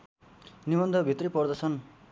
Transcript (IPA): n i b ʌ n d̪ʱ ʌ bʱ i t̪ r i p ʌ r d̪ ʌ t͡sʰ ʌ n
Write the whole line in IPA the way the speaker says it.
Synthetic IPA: n i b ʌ n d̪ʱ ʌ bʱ i t̪ r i p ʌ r d̪ ʌ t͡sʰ ʌ n